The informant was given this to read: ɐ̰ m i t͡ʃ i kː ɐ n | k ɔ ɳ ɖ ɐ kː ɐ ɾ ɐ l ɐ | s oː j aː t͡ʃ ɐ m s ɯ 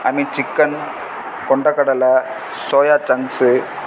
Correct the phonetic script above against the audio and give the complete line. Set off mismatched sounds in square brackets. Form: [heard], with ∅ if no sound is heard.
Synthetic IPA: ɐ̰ m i t͡ʃ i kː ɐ n | k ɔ ɳ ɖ ɐ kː ɐ [ɽ] ɐ l ɐ | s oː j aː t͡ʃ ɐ [ŋ] s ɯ